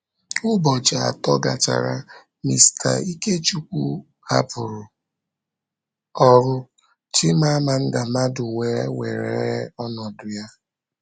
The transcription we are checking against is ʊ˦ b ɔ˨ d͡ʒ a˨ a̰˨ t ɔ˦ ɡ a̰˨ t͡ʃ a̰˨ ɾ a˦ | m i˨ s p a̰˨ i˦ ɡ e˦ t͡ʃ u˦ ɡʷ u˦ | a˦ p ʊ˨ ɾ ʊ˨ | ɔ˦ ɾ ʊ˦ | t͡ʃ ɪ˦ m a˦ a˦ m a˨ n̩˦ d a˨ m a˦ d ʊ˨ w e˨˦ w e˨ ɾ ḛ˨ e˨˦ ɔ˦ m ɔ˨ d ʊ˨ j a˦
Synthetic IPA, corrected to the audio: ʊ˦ b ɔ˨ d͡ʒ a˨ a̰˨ t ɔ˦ ɡ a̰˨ t͡ʃ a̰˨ ɾ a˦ | m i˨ s t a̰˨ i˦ k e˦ t͡ʃ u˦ kʷ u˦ | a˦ p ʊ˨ ɾ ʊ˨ | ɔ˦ ɾ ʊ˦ | t͡ʃ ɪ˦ m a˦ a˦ m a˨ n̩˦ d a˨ m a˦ d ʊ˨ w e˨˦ w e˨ ɾ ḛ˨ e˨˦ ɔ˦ n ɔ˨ d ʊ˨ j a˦